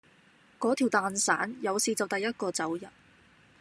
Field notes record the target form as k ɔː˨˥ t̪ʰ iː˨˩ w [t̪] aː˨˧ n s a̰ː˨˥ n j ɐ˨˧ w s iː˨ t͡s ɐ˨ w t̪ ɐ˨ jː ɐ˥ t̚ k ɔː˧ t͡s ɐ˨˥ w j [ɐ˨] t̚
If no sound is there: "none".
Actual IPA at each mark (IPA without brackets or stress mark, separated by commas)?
t̪, ɐ˨